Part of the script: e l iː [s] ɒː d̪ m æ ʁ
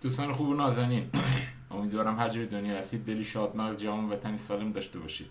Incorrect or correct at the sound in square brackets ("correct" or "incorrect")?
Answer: incorrect